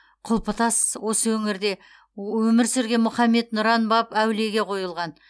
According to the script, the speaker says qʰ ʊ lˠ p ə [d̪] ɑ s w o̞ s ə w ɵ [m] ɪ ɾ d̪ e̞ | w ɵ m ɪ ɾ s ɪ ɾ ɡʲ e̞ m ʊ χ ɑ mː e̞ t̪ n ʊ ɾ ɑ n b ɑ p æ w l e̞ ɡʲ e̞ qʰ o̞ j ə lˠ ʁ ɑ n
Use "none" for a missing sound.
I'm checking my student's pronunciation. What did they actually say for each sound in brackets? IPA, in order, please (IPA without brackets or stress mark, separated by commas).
t̪, ŋ